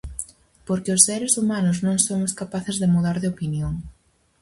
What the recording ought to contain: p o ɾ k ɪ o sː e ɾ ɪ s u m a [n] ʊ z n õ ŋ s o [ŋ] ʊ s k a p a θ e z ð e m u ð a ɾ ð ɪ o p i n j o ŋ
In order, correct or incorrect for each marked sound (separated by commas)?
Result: correct, incorrect